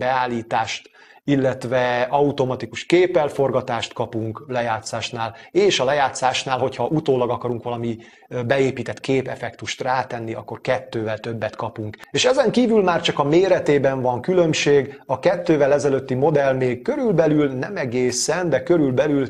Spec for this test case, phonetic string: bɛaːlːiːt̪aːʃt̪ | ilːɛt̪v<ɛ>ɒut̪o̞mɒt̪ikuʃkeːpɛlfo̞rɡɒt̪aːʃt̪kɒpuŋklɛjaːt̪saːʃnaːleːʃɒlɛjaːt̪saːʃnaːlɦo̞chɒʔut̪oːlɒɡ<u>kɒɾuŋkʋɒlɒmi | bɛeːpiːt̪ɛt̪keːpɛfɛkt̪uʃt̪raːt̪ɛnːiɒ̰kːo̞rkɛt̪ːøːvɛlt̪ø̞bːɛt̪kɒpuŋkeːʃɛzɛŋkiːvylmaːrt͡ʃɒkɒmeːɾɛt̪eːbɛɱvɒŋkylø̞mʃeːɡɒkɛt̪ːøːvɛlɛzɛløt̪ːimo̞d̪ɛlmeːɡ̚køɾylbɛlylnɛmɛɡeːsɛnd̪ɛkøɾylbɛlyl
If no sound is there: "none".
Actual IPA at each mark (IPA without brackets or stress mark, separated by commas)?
ɛ, ɒ